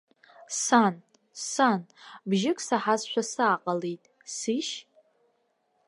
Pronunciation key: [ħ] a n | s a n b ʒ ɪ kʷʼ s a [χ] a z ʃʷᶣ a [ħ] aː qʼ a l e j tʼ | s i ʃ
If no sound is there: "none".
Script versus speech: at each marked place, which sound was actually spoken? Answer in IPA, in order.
s, ħ, s

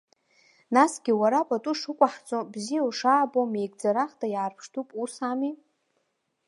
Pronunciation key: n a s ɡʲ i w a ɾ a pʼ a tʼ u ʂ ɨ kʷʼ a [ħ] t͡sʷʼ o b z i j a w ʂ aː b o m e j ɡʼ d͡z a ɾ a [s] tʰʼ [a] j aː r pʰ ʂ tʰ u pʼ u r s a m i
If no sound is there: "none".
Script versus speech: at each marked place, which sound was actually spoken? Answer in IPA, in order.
ħ, χ, a

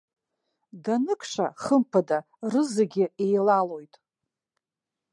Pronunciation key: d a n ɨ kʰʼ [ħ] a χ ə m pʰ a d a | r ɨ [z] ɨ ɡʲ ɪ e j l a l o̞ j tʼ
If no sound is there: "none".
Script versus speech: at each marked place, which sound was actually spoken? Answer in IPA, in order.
ʂ, z

